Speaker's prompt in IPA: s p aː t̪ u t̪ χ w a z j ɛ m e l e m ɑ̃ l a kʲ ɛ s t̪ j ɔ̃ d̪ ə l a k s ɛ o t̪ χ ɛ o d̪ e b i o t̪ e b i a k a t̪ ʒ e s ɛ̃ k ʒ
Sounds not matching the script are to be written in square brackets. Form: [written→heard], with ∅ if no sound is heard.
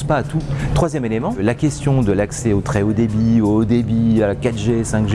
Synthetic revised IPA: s p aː t̪ u t̪ χ w a z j ɛ m e l e m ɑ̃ l a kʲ ɛ s t̪ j ɔ̃ d̪ ə l a k s ɛ o t̪ χ ɛ o d̪ e b i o [t̪→d̪] e b i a k a t̪ ʒ e s ɛ̃ k ʒ